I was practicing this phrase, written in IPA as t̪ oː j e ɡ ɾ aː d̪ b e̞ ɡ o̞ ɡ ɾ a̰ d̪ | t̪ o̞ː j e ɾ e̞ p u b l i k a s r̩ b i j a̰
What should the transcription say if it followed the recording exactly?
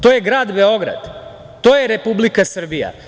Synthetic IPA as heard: t̪ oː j e ɡ ɾ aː d̪ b e̞ o̞ ɡ ɾ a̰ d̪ | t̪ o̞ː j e ɾ e̞ p u b l i k a s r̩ b i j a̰